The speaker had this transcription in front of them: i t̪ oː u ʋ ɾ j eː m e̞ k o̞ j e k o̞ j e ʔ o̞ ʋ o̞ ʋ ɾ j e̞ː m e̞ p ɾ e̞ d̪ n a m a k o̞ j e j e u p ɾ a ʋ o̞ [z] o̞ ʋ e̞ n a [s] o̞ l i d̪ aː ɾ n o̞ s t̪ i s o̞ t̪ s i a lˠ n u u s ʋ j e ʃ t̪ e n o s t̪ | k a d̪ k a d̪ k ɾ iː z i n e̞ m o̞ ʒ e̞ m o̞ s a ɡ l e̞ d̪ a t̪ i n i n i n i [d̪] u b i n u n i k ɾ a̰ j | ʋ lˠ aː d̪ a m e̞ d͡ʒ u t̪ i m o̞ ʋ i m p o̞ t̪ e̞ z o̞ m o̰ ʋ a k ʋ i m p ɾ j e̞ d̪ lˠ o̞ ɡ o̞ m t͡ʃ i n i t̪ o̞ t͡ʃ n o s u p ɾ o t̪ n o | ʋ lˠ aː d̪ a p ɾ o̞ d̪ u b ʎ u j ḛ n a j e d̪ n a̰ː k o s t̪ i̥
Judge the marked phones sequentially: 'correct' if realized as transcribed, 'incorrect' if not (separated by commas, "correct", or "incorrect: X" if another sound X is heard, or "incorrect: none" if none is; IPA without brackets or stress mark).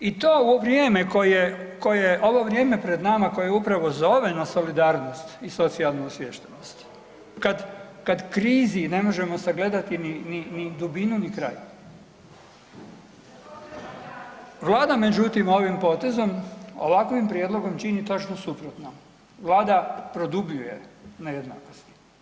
correct, correct, correct